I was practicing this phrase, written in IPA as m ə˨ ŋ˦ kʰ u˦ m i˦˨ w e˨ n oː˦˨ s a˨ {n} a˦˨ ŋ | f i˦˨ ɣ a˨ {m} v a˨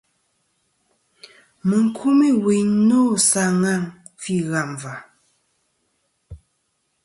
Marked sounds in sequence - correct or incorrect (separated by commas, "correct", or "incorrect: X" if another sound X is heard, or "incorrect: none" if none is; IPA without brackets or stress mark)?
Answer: incorrect: ŋ, correct